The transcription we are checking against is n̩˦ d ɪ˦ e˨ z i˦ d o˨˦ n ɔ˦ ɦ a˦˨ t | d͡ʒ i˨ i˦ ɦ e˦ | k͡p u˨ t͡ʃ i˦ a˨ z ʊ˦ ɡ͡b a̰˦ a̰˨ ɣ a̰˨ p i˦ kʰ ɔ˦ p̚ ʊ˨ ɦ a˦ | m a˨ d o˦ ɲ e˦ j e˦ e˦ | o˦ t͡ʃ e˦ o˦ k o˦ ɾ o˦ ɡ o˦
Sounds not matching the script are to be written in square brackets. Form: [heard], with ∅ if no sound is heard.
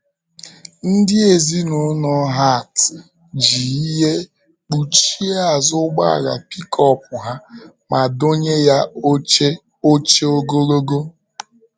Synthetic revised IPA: n̩˦ d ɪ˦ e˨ z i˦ [n] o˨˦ n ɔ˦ ɦ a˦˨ t | d͡ʒ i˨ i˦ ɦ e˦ | k͡p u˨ t͡ʃ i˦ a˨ z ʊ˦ ɡ͡b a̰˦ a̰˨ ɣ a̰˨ p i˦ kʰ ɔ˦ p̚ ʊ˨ ɦ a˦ | m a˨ d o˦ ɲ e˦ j [a˦] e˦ | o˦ t͡ʃ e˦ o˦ [ɡ] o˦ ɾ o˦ ɡ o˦